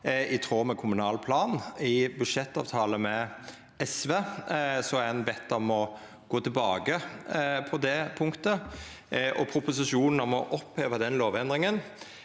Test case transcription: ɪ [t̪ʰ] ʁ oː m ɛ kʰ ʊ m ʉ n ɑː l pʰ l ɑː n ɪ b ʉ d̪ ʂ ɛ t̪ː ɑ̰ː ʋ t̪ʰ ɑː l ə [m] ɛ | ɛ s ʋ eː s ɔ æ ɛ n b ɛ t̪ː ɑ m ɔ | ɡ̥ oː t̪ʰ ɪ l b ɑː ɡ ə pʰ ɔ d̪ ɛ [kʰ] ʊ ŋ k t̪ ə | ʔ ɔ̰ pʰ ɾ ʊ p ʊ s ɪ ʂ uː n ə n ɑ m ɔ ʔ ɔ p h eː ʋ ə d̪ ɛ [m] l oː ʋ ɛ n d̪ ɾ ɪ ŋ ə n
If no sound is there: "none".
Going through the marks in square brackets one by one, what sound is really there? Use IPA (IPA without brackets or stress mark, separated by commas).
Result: t̪ʰ, m, pʰ, n